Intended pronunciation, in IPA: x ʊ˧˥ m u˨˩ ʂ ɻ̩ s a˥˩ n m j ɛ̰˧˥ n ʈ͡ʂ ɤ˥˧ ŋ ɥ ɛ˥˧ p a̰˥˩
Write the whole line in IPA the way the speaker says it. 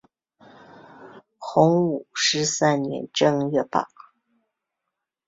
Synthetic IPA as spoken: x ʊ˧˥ ŋ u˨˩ ʂ ɻ̩ s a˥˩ n n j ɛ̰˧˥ n ʈ͡ʂ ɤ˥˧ ŋ ɥ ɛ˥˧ p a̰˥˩